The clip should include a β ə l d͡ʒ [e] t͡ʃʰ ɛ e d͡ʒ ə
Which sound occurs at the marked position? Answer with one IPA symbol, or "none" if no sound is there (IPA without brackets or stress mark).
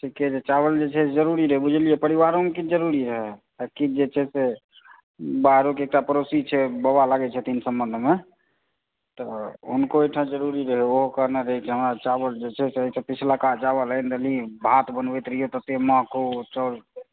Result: e